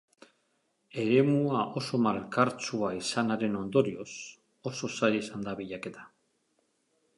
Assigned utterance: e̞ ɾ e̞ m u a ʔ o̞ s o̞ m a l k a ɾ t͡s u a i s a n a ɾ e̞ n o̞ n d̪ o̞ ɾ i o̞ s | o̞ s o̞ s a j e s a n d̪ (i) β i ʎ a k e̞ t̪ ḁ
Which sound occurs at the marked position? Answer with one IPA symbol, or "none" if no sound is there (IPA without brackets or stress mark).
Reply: a